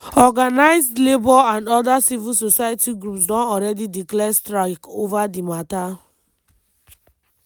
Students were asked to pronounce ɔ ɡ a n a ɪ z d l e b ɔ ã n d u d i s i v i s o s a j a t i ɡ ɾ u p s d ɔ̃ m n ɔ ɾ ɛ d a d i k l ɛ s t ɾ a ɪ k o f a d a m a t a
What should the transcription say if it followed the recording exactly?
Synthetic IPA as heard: ɔ ɡ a n a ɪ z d l e b ɔ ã n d ɔ d a s i v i s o s a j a t i ɡ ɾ u p s d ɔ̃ n ɔ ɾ ɛ d i d i k l ɛ s t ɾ a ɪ k o v a d i m a t a